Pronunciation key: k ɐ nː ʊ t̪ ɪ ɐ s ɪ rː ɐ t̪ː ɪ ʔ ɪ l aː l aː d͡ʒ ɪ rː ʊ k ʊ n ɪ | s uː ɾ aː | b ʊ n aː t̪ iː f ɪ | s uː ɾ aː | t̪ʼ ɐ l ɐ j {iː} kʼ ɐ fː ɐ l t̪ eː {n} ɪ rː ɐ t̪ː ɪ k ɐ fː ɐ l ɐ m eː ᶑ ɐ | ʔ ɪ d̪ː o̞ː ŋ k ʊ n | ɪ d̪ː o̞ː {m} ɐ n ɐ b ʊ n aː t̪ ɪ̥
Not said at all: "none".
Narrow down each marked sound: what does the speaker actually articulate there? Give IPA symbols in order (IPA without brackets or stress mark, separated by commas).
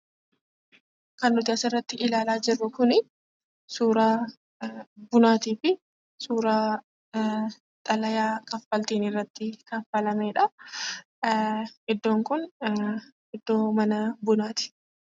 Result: aː, n, m